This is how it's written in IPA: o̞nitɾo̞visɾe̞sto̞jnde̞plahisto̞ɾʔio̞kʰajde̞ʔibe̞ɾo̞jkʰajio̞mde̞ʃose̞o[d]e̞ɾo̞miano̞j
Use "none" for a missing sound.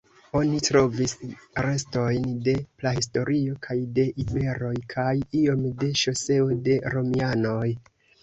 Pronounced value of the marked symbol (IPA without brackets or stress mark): d